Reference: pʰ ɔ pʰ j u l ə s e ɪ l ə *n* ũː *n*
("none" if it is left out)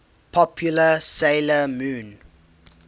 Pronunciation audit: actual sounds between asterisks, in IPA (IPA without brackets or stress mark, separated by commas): m, n